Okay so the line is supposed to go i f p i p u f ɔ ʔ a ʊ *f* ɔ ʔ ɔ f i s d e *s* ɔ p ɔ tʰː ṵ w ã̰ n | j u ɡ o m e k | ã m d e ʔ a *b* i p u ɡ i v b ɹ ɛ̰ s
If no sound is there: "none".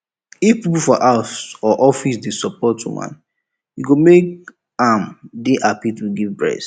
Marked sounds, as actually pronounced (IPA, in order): s, s, p

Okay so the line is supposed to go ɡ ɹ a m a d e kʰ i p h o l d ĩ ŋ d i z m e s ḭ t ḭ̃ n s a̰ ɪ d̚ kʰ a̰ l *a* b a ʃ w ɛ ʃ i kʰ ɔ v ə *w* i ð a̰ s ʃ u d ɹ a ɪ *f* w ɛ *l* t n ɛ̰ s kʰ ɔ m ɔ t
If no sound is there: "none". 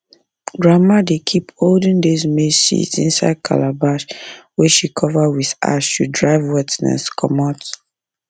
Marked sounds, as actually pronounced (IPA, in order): a, w, v, none

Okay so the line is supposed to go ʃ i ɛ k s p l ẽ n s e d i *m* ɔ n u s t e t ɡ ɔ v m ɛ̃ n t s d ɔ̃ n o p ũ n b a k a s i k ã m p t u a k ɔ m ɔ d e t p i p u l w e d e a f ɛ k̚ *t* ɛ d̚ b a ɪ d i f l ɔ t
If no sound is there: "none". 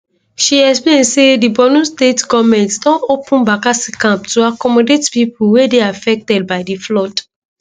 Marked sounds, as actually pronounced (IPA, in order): b, t

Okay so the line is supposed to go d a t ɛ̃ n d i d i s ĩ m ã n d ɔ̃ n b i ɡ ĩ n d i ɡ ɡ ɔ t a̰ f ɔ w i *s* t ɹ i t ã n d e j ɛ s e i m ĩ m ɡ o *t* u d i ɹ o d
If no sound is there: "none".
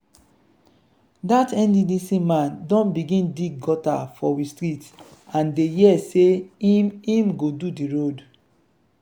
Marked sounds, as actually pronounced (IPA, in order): s, d

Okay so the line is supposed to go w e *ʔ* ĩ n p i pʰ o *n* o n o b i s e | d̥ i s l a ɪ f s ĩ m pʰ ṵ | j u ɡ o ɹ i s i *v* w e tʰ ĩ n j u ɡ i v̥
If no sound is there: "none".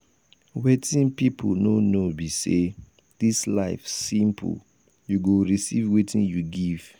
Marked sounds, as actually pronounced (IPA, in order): t, n, v

